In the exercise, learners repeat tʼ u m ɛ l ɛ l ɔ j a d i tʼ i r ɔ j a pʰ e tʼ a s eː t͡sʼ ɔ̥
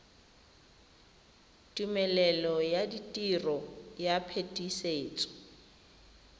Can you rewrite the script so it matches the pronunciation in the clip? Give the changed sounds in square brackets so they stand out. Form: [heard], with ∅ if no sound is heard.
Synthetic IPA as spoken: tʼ u m ɛ l ɛ l ɔ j a d i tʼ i r ɔ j a pʰ e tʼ [i] s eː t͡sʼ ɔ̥